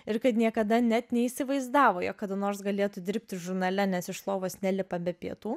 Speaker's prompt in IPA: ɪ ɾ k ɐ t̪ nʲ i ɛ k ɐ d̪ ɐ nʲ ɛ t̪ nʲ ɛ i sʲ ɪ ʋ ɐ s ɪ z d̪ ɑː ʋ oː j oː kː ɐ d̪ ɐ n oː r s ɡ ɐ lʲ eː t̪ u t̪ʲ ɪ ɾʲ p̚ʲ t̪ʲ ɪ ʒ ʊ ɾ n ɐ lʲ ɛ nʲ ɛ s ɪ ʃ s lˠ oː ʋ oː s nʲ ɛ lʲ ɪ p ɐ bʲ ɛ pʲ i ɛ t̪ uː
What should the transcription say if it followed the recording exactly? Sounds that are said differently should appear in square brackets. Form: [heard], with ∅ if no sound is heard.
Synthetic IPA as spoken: ɪ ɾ k ɐ t̪ nʲ i ɛ k ɐ d̪ ɐ nʲ ɛ t̪ nʲ ɛ i sʲ ɪ ʋ ɐ [∅] ɪ z d̪ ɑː ʋ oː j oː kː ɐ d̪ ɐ n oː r s ɡ ɐ lʲ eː t̪ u [d̪ʲ] ɪ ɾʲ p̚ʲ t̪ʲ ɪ ʒ ʊ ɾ n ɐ lʲ ɛ nʲ ɛ s ɪ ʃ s lˠ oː ʋ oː s nʲ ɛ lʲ ɪ p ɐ bʲ ɛ pʲ i ɛ t̪ uː